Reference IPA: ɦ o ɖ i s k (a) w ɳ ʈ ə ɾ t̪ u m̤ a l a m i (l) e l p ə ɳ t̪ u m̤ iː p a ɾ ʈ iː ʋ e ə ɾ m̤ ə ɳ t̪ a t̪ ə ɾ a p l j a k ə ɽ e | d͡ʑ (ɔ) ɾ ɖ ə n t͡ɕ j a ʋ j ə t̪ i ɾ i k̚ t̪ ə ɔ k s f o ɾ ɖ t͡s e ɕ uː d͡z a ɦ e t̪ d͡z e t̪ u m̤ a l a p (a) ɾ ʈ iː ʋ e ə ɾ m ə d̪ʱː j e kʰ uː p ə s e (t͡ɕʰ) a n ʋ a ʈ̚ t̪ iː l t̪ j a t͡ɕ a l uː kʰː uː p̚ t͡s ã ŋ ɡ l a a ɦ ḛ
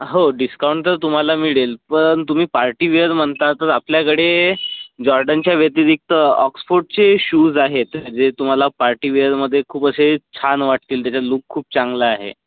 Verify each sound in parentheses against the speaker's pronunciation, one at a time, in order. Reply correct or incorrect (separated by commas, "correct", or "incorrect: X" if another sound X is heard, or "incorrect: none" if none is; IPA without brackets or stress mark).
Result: correct, incorrect: ɭ, correct, correct, correct